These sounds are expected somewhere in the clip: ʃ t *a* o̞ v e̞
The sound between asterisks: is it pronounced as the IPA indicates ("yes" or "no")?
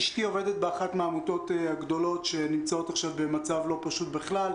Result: no